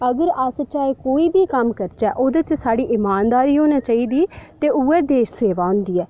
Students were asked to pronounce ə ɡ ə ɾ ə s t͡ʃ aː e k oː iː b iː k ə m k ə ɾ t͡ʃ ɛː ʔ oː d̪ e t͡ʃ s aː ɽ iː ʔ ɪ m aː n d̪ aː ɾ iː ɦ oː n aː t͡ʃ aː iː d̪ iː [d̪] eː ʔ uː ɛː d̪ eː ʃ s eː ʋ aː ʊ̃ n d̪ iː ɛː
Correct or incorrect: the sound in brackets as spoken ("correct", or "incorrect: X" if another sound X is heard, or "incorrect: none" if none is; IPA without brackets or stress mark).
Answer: incorrect: t̪